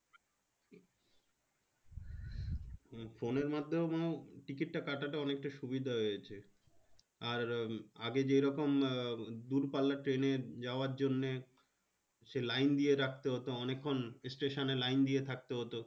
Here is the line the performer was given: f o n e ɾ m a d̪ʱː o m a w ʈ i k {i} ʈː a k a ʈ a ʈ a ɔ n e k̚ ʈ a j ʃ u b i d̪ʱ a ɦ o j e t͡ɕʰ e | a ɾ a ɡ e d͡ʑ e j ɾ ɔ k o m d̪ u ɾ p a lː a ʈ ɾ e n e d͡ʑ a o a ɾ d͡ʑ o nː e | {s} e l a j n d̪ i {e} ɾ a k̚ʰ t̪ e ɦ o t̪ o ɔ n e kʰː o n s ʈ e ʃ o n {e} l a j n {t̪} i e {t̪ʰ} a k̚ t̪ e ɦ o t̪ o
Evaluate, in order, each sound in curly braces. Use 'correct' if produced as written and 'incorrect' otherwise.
correct, incorrect, correct, correct, incorrect, correct

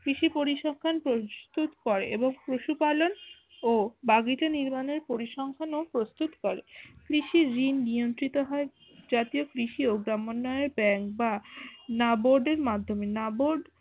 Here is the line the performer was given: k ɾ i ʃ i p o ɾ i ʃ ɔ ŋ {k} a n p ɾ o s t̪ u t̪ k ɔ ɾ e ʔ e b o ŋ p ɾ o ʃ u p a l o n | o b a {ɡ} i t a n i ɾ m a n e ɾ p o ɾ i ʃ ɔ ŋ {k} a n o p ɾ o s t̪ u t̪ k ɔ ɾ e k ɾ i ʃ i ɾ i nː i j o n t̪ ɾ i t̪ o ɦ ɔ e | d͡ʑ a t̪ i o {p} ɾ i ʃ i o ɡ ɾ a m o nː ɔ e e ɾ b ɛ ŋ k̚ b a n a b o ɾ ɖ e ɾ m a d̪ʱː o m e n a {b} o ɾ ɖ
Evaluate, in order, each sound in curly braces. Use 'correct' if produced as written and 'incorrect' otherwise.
incorrect, correct, incorrect, incorrect, correct

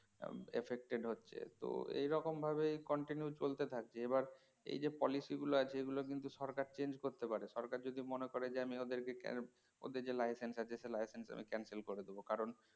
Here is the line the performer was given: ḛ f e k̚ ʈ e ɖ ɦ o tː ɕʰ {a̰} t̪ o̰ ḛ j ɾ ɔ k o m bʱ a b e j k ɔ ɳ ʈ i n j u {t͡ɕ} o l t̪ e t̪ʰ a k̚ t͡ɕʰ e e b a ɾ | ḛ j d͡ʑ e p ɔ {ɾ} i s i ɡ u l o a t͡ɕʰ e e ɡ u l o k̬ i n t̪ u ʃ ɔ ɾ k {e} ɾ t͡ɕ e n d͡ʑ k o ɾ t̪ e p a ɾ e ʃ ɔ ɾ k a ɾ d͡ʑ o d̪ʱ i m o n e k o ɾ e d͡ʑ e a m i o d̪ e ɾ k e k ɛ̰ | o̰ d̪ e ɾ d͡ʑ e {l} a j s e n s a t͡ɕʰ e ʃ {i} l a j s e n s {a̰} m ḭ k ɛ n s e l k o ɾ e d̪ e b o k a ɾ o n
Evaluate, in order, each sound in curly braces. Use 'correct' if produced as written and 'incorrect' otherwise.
incorrect, correct, incorrect, incorrect, correct, incorrect, correct

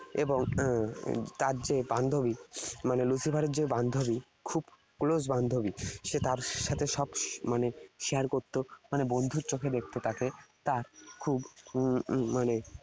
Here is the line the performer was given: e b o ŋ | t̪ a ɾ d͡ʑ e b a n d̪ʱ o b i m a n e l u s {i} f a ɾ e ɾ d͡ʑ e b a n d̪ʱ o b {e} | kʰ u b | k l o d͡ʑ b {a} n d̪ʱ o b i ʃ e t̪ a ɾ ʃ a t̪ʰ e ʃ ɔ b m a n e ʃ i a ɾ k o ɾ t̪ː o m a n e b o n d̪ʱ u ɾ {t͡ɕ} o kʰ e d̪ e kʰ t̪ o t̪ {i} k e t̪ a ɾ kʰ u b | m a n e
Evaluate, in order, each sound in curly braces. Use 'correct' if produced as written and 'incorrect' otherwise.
correct, incorrect, correct, correct, incorrect

